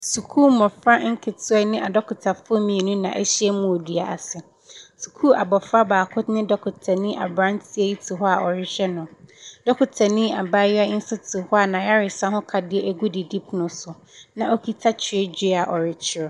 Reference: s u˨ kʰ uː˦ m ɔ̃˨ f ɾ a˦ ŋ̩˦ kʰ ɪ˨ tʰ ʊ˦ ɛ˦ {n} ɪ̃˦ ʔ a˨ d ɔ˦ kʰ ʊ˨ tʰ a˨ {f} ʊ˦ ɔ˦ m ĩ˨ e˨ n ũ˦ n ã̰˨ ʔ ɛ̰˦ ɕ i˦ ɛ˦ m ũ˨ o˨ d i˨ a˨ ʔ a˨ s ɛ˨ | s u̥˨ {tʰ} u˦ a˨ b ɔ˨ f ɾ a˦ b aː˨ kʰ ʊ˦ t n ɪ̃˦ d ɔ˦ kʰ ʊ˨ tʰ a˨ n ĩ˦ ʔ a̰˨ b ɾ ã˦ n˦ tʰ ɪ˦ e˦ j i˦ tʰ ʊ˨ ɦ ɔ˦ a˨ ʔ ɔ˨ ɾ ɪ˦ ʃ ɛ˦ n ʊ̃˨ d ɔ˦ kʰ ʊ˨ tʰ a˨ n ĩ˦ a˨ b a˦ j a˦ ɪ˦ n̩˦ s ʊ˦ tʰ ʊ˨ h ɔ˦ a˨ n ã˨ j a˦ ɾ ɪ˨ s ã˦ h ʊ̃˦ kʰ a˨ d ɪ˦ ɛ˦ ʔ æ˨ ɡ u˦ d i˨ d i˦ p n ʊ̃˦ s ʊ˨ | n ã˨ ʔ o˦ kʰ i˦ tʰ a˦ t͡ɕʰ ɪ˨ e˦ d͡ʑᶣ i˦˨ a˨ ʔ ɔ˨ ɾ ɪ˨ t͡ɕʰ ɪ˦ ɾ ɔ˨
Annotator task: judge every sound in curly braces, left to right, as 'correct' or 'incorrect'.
correct, correct, incorrect: kʰ

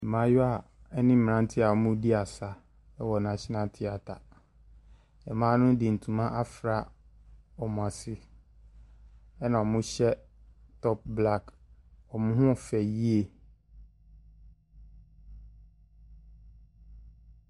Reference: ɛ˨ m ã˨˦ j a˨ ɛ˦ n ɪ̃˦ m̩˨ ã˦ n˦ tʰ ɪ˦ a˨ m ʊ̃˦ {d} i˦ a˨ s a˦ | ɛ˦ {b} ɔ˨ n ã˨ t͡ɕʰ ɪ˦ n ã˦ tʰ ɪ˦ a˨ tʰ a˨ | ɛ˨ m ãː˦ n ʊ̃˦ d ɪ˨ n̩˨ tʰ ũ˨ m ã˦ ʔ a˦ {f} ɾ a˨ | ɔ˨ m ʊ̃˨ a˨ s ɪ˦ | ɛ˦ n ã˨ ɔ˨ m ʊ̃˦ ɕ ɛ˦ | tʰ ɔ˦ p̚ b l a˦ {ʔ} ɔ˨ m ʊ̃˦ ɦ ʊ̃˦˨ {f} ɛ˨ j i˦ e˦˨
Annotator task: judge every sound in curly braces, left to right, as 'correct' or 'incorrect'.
correct, incorrect: w, correct, incorrect: k, correct

